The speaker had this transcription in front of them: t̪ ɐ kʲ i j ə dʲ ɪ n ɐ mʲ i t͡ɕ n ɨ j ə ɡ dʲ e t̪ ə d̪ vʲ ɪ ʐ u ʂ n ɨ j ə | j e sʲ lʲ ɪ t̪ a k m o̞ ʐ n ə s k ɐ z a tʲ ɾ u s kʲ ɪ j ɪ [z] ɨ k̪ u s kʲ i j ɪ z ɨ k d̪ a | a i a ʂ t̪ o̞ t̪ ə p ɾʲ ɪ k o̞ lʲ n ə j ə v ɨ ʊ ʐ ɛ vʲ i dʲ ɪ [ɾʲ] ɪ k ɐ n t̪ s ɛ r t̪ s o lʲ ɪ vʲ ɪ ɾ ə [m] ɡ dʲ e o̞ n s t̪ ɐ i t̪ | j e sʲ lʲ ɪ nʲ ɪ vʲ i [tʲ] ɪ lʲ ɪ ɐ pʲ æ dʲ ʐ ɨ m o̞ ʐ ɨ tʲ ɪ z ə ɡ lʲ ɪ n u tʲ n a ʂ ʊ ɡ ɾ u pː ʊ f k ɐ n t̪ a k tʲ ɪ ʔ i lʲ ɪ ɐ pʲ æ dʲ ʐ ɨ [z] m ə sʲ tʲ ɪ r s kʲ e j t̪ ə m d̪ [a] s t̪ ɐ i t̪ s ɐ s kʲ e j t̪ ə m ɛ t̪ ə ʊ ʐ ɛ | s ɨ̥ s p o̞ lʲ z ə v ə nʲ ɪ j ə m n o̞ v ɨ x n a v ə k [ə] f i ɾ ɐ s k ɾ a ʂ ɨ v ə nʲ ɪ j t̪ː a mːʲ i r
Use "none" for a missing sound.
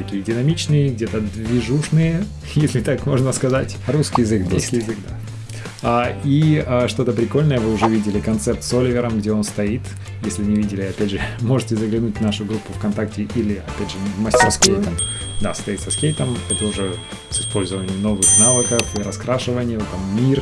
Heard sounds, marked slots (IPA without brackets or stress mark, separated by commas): z, lʲ, m, dʲ, v, a, ə